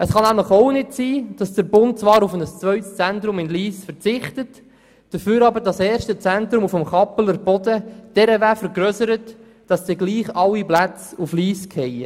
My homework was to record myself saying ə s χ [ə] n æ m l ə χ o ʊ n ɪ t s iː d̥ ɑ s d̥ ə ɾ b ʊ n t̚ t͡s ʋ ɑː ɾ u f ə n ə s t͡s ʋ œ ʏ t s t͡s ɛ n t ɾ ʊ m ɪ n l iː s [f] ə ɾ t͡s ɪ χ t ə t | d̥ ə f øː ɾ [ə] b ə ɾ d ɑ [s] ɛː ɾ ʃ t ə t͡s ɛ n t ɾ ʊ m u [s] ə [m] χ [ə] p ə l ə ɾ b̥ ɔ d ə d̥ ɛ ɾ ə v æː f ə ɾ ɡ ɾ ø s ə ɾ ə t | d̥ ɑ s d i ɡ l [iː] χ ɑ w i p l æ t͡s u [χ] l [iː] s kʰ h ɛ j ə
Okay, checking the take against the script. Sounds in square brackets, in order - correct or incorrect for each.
incorrect, correct, incorrect, correct, incorrect, correct, incorrect, correct, incorrect, correct

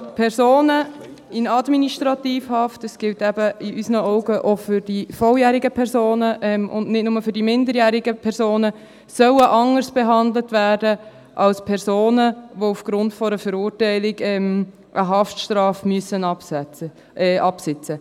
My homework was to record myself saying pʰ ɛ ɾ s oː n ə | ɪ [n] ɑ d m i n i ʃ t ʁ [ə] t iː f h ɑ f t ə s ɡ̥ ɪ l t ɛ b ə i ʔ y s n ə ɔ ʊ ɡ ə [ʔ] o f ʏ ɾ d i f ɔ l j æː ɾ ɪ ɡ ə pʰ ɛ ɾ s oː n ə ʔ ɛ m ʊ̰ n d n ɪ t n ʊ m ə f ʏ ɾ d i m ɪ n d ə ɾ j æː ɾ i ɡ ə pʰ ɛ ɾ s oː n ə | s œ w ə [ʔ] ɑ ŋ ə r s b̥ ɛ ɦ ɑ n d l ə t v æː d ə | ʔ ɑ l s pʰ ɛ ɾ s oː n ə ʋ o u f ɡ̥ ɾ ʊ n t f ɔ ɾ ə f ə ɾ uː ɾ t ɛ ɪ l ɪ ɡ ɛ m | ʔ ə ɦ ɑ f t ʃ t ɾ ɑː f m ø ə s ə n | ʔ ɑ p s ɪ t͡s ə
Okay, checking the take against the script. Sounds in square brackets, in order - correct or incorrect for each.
correct, incorrect, correct, correct

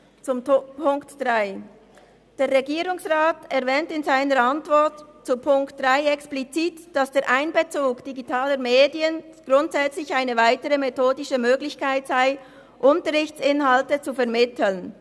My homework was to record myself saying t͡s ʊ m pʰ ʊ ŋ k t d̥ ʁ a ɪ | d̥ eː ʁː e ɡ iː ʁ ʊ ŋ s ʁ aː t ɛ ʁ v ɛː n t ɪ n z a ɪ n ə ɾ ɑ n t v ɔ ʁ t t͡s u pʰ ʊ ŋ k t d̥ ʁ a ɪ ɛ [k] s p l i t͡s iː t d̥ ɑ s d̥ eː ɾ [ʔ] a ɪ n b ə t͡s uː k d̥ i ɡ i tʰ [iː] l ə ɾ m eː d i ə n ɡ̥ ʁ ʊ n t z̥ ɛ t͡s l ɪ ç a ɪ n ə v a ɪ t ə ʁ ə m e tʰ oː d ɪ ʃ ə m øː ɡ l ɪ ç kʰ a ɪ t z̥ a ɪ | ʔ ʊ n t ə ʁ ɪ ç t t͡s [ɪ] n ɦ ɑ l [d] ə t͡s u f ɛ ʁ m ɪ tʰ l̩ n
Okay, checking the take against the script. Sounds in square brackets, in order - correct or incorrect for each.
correct, correct, incorrect, correct, incorrect

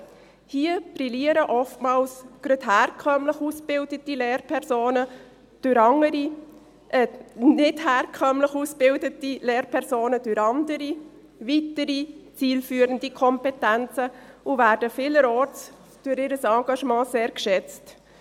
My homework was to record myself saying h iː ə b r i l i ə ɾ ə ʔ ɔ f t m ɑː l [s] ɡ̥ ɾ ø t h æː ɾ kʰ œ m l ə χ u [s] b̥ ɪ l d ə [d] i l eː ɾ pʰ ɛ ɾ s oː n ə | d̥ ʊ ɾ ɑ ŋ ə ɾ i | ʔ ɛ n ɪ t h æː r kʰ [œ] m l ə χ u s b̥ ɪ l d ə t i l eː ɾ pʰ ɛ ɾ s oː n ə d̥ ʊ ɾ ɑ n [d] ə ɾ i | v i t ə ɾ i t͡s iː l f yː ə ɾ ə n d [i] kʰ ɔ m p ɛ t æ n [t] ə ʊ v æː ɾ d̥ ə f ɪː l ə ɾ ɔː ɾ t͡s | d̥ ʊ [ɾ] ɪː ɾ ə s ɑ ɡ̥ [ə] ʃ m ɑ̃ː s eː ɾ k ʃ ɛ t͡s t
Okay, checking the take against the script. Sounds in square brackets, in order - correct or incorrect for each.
correct, correct, incorrect, correct, correct, correct, incorrect, correct, incorrect

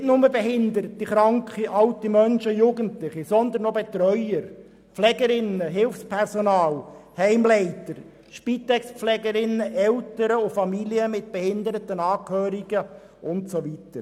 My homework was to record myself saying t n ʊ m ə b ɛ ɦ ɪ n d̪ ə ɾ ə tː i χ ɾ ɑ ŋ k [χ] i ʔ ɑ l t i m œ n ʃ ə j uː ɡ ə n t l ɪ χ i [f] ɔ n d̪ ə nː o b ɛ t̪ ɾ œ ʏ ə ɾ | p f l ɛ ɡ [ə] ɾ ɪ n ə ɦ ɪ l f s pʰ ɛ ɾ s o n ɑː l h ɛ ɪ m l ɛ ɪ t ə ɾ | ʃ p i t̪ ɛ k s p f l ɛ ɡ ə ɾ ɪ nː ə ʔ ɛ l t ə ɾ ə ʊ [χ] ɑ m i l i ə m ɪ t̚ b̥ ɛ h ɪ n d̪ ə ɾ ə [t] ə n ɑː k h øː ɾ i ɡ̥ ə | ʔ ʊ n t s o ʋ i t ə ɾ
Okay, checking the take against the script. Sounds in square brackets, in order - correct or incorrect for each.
correct, incorrect, correct, incorrect, correct

